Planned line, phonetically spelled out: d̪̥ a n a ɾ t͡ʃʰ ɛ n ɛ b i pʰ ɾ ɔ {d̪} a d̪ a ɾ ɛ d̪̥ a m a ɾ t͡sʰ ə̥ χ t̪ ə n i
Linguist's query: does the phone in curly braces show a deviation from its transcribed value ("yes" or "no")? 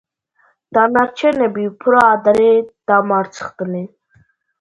yes